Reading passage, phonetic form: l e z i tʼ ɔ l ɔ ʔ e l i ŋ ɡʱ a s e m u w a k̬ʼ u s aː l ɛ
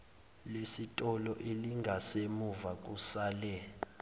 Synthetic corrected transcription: l e s i tʼ ɔ l ɔ ʔ e l i ŋ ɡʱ a s e m u v a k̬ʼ u s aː l ɛ